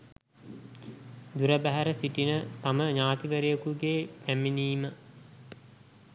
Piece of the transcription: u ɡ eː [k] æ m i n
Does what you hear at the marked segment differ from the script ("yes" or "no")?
yes